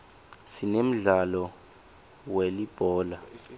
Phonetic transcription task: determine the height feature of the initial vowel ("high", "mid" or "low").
high